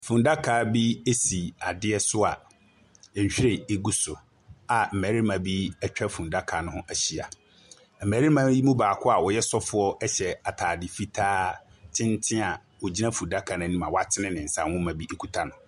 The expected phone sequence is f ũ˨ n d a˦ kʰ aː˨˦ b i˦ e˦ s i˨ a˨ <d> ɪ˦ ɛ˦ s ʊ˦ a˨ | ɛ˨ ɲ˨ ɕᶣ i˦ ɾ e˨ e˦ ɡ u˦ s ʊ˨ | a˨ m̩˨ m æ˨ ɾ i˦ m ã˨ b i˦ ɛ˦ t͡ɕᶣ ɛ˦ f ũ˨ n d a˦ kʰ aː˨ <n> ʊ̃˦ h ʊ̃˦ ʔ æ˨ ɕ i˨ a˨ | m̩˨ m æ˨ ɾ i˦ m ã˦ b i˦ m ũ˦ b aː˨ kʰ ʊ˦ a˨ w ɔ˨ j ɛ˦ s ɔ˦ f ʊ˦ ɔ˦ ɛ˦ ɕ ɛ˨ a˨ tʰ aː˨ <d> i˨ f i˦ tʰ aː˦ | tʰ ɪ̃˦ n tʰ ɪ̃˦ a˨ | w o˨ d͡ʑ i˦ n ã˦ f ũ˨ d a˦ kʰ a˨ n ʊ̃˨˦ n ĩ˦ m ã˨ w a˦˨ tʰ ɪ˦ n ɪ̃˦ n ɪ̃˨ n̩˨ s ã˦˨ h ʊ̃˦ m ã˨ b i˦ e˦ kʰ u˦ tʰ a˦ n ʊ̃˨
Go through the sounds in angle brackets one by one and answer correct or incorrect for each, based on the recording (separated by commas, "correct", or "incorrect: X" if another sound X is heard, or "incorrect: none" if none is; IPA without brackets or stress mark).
correct, correct, correct